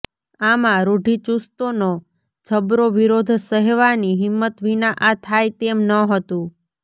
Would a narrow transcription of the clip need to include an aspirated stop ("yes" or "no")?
yes